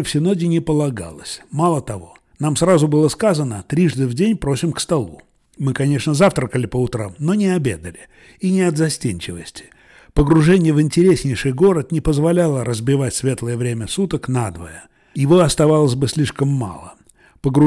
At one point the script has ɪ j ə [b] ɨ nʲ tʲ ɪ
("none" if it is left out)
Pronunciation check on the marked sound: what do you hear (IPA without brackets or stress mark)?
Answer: v